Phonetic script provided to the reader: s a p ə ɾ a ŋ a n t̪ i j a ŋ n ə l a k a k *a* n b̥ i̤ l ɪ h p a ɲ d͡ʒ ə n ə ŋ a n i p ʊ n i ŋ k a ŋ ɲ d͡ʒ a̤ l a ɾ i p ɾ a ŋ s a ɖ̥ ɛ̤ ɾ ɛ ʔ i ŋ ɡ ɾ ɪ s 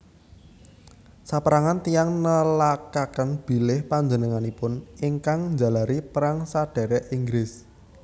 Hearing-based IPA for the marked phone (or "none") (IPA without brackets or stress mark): ə